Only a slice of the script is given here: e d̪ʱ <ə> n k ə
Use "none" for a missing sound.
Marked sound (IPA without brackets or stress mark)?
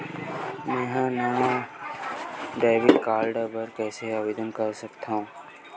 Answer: ə